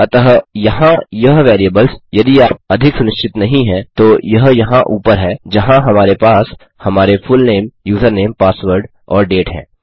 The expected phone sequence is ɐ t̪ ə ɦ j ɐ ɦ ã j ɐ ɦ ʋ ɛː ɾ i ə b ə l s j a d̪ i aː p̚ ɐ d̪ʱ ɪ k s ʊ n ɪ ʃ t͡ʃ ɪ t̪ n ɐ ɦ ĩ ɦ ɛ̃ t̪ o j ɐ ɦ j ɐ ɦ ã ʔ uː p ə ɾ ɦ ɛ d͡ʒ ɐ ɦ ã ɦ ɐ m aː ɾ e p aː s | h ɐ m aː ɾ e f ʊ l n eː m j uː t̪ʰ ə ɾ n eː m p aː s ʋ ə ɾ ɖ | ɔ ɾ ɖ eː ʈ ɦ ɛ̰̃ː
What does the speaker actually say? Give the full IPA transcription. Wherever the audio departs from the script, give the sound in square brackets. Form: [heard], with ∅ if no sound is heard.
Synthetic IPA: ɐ t̪ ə ɦ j ɐ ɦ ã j ɐ ɦ ʋ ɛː ɾ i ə b ə l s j [ɐ] d̪ i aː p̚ ɐ d̪ʱ ɪ k s ʊ n ɪ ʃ t͡ʃ ɪ t̪ n ɐ ɦ ĩ ɦ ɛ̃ t̪ o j ɐ ɦ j ɐ ɦ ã ʔ uː p ə ɾ ɦ ɛ d͡ʒ ɐ ɦ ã ɦ ɐ m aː ɾ e p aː s | h ɐ m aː ɾ e f ʊ l n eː m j uː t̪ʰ ə ɾ n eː m p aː s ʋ ə ɾ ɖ | [ɔː] ɾ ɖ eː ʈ ɦ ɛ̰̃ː